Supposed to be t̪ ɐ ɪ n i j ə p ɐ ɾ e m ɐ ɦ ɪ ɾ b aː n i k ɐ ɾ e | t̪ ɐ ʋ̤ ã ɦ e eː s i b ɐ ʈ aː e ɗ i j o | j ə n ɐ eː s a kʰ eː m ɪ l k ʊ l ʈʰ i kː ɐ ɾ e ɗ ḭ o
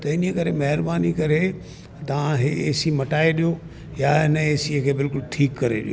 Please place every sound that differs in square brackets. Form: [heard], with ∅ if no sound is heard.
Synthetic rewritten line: t̪ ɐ ɪ n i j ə [k] ɐ ɾ e m ɐ ɦ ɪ ɾ b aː n i k ɐ ɾ e | t̪ ɐ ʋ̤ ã ɦ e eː s i [m] ɐ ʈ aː e ɗ i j o | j [a] n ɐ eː s [i] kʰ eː [b] ɪ l k ʊ l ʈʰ [iː] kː ɐ ɾ e ɗ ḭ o